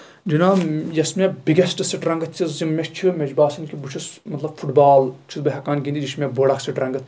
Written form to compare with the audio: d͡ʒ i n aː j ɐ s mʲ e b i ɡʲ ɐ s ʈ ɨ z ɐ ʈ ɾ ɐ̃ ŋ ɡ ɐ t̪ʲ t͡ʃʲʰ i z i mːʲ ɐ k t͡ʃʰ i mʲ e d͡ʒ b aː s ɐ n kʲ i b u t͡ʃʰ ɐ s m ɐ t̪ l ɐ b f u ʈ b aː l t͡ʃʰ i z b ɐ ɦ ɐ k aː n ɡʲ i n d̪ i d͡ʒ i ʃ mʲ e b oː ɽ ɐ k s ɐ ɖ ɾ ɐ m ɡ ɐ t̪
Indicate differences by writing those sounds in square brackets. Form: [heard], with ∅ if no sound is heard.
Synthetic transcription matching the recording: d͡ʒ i n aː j ɐ s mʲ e b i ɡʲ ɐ s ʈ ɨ [s] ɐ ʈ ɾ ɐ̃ ŋ ɡ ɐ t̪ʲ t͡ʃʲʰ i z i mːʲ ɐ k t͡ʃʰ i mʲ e d͡ʒ b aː s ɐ n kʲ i b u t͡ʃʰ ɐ s m ɐ t̪ l ɐ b f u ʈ b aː l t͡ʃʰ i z b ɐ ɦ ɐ k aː n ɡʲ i n d̪ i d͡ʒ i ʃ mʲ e b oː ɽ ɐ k s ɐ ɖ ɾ ɐ [ŋ] ɡ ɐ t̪